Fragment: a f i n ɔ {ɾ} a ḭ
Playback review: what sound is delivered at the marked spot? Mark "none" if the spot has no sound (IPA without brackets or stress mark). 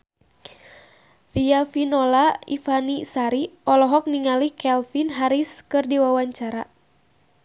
l